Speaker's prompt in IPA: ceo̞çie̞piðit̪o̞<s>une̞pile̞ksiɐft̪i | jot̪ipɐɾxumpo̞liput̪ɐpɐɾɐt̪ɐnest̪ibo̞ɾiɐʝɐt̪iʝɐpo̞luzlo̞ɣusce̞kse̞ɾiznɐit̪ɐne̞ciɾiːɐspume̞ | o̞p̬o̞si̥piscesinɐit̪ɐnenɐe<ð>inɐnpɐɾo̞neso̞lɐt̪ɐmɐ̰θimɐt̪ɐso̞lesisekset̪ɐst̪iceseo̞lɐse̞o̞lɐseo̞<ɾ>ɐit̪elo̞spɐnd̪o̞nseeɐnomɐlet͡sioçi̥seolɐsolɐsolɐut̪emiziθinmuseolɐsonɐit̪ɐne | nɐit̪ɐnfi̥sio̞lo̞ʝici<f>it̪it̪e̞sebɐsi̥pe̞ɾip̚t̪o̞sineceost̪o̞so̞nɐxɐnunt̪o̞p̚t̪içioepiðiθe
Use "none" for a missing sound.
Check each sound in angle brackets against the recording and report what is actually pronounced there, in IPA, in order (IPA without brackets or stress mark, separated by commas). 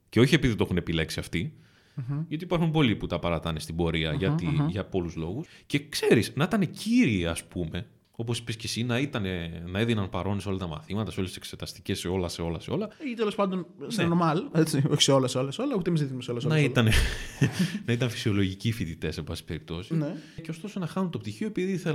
x, ð, l, f